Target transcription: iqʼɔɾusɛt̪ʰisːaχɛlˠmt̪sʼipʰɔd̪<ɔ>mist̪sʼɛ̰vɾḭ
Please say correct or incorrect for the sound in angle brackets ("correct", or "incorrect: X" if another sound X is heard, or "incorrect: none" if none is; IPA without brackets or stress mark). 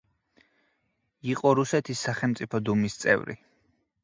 incorrect: u